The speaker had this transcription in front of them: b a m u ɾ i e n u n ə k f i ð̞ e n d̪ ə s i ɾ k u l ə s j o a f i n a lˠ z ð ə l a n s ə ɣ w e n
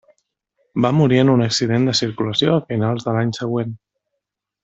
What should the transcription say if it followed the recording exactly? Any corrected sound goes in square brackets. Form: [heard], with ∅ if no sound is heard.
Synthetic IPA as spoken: b a m u ɾ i e n u n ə k [s] i ð̞ e n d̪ ə s i ɾ k u l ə s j o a f i n a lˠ z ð ə l a [ɲ] s ə ɣ w e n